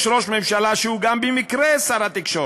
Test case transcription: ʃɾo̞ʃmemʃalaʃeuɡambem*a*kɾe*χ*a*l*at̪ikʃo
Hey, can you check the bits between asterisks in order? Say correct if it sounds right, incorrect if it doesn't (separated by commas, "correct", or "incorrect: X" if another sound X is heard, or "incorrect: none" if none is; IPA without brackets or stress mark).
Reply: incorrect: i, incorrect: s, incorrect: ɾ